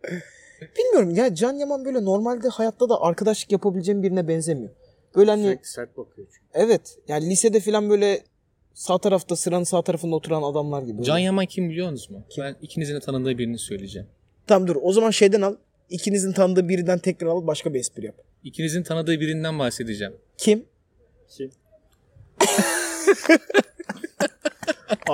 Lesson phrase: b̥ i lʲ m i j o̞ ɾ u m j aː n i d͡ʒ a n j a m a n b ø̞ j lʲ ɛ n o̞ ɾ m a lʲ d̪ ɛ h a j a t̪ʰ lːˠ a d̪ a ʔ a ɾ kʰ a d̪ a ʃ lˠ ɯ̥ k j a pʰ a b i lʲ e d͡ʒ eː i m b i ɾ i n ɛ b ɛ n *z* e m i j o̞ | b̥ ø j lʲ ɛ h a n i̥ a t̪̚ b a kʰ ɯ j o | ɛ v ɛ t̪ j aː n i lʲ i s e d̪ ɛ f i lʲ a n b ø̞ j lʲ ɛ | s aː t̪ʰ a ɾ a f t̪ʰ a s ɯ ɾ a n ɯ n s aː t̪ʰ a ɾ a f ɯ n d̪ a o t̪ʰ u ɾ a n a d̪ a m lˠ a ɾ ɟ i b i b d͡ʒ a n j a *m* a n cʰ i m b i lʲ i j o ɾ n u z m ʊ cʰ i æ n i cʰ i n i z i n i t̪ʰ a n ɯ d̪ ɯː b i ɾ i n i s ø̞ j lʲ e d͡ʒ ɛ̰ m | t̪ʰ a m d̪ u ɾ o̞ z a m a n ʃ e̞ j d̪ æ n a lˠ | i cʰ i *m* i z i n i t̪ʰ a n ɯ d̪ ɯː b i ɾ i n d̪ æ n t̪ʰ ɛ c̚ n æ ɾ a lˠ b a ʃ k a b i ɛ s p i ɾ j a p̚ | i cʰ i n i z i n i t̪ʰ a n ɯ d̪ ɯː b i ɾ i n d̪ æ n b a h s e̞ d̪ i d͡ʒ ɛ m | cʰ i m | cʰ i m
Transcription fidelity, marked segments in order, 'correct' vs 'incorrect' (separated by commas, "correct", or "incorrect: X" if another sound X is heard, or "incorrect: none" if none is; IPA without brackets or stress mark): correct, correct, incorrect: n